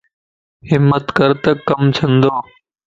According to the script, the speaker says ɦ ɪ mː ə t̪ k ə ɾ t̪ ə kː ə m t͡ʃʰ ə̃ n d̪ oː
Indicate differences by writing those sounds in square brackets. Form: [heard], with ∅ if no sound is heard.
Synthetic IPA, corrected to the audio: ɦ ɪ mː ə t̪ k ə ɾ t̪ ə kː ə m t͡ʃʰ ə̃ n d̪ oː